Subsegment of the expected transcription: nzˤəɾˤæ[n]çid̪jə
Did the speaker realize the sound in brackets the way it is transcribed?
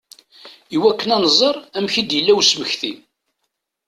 no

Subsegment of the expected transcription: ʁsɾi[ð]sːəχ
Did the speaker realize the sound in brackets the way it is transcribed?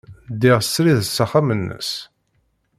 yes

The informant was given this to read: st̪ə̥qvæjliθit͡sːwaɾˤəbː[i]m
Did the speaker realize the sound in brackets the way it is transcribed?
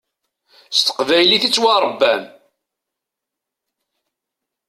no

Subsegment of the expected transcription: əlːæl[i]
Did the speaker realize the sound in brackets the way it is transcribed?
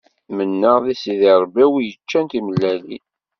yes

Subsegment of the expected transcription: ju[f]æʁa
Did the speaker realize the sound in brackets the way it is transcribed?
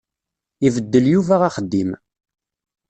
no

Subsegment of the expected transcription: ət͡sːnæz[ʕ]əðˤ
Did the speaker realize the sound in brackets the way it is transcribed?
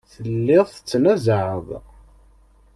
yes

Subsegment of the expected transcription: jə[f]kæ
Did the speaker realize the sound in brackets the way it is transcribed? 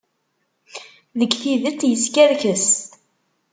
no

